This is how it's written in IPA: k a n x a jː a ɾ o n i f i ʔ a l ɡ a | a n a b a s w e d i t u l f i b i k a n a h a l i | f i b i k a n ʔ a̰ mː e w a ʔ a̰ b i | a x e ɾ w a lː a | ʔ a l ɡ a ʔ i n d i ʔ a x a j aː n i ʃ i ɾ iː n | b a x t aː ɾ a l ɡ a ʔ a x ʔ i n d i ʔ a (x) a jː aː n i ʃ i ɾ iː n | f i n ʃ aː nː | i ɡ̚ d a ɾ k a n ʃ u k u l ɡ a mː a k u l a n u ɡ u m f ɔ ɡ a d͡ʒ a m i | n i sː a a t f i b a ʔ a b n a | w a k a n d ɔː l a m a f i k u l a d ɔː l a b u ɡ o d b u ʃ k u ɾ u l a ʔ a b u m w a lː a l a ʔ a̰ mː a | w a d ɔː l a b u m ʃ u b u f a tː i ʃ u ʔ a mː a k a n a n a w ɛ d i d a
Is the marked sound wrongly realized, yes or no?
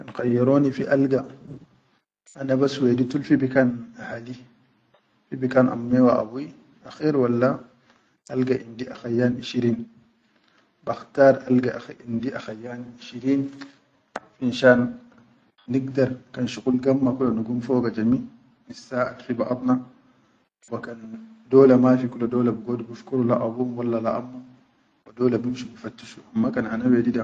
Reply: no